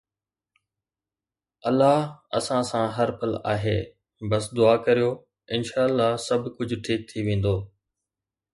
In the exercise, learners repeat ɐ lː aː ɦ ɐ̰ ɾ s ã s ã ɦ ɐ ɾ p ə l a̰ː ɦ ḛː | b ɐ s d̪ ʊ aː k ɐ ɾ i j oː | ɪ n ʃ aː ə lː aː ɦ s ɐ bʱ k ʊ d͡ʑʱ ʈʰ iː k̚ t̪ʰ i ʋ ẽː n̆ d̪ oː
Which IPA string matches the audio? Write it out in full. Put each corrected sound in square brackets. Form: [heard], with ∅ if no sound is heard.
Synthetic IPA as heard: ɐ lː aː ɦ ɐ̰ [∅] s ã s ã ɦ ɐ ɾ p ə l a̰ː ɦ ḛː | b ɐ s d̪ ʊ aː k ɐ ɾ i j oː | ɪ n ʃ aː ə lː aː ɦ s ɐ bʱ k ʊ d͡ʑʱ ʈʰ iː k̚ t̪ʰ i ʋ ẽː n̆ d̪ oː